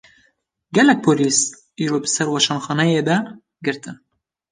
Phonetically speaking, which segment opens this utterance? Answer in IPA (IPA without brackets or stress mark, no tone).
ɡ